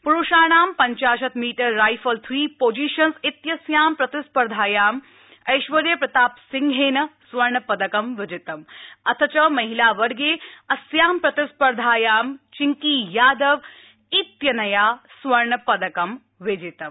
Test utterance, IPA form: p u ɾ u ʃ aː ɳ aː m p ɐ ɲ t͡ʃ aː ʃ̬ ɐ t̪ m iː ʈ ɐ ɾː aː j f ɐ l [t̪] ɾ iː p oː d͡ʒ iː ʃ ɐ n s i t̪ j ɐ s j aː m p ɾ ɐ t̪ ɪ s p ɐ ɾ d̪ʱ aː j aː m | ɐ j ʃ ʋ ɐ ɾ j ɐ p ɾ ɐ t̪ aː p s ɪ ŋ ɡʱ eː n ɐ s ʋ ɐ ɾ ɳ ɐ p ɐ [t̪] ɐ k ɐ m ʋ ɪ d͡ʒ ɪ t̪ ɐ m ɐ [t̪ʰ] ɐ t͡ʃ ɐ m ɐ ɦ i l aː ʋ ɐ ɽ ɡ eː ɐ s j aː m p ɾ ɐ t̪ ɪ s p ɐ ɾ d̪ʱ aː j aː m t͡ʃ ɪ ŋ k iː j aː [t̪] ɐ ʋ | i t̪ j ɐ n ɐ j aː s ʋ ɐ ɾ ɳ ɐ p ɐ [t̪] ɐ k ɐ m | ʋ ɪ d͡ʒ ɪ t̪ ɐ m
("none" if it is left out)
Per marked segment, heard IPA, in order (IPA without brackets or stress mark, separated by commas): t̪ʰ, d̪, t̪ʰ, d̪, d̪